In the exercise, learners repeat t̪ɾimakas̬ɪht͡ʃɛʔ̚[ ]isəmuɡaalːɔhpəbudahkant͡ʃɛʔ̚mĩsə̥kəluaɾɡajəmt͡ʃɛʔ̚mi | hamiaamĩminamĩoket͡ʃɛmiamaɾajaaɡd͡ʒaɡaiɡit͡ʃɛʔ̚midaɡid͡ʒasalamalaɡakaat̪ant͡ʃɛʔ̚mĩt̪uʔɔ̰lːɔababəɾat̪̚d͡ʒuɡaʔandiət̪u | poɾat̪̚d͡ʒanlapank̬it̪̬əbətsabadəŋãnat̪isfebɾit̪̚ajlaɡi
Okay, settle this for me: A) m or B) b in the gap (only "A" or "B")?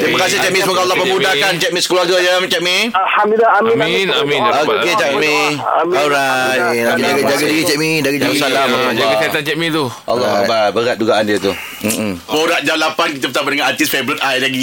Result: A